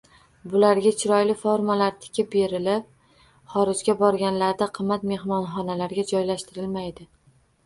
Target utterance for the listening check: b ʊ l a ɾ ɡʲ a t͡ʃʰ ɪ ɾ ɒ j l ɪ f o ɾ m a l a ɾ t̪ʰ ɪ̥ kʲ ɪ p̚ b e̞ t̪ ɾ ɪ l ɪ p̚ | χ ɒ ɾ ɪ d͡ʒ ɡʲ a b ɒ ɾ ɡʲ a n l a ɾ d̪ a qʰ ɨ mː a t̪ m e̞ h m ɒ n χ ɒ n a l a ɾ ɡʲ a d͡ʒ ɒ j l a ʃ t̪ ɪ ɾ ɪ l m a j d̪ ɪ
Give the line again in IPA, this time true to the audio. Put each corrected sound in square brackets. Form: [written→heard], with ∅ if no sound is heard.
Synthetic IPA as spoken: b ʊ l a ɾ ɡʲ a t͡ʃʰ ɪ ɾ ɒ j l ɪ f o ɾ m a l a ɾ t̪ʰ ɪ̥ kʲ ɪ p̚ b e̞ [t̪→∅] ɾ ɪ l ɪ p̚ | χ ɒ ɾ ɪ d͡ʒ ɡʲ a b ɒ ɾ ɡʲ a n l a ɾ d̪ a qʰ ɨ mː a t̪ m e̞ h m ɒ n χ ɒ n a l a ɾ ɡʲ a d͡ʒ ɒ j l a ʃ t̪ ɪ ɾ ɪ l m a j d̪ ɪ

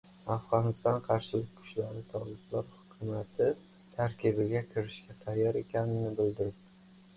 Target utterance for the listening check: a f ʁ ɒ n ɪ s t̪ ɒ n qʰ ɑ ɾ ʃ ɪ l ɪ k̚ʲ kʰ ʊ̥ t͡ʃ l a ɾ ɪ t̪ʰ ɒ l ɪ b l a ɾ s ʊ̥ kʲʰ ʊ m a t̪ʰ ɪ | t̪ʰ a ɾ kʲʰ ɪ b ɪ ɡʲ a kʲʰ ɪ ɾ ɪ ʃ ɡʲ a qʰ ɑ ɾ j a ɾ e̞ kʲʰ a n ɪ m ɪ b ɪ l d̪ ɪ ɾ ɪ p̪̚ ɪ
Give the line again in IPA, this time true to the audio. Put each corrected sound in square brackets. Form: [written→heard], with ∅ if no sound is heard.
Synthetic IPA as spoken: a f ʁ ɒ n ɪ s t̪ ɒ n qʰ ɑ ɾ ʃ ɪ l ɪ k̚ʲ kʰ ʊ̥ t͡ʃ l a ɾ ɪ t̪ʰ ɒ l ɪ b l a ɾ [s→h] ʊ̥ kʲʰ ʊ m a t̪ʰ ɪ | t̪ʰ a ɾ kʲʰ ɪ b ɪ ɡʲ a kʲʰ ɪ ɾ ɪ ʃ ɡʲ a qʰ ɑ ɾ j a ɾ e̞ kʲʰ a n ɪ [m→n] ɪ b ɪ l d̪ ɪ ɾ ɪ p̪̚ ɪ

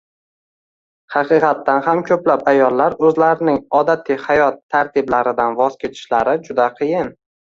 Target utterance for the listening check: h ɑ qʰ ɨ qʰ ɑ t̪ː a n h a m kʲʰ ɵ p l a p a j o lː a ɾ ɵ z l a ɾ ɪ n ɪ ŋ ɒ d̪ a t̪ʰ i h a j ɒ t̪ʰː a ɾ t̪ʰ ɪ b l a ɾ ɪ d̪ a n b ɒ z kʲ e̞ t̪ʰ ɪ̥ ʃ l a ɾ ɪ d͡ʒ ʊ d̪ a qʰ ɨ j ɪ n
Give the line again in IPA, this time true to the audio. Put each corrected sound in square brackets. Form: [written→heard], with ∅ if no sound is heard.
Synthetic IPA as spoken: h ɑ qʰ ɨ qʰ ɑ t̪ː a n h a m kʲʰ ɵ p l a p a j [o→ɒ] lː a ɾ ɵ z l a ɾ ɪ n ɪ ŋ ɒ d̪ a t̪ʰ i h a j ɒ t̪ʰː a ɾ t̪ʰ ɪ b l a ɾ ɪ d̪ a n [b→v] ɒ z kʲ e̞ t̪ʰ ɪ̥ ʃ l a ɾ ɪ d͡ʒ ʊ d̪ a qʰ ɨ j ɪ n

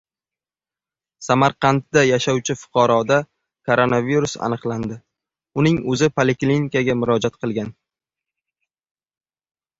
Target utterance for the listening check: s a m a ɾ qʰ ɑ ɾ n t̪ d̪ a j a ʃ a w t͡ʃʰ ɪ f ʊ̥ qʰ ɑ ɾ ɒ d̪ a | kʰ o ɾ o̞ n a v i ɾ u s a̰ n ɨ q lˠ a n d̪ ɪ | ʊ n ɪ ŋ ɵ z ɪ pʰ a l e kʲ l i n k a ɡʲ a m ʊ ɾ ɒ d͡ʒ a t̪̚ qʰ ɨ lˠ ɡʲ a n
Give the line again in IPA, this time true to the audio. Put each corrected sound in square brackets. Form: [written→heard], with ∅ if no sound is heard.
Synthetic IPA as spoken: s a m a ɾ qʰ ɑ [ɾ→∅] n t̪ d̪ a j a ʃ a w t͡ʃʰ ɪ f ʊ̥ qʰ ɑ ɾ ɒ d̪ a | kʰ o ɾ o̞ n a v i ɾ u s a̰ n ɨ q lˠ a n d̪ ɪ | ʊ n ɪ ŋ ɵ z ɪ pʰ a l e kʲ l i n k a ɡʲ a m ʊ ɾ ɒ d͡ʒ a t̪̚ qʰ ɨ lˠ ɡʲ a n

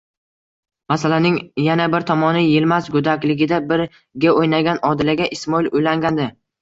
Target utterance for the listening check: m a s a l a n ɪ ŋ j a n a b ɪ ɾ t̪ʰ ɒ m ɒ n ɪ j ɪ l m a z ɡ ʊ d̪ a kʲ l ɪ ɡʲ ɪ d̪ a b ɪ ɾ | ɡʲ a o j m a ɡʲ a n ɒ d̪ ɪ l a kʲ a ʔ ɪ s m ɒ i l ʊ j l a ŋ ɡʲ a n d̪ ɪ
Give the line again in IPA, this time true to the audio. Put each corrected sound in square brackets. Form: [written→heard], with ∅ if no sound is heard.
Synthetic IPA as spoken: m a s a l a n ɪ ŋ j a n a b ɪ ɾ t̪ʰ ɒ m ɒ n ɪ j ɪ l m a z ɡ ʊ d̪ a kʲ l ɪ ɡʲ ɪ d̪ a b ɪ ɾ | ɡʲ a o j [m→n] a ɡʲ a n ɒ d̪ ɪ l a [kʲ→ɡʲ] a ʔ ɪ s m ɒ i l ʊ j l a ŋ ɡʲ a n d̪ ɪ

